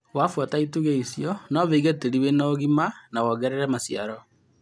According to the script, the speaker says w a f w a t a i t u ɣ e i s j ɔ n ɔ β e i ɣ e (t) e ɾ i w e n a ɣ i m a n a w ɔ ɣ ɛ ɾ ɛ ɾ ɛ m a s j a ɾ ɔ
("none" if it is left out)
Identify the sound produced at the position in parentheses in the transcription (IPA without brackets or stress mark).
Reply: t